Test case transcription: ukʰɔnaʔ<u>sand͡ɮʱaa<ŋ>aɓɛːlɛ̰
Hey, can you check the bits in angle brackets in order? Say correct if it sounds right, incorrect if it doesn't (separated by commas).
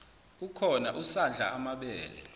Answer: correct, incorrect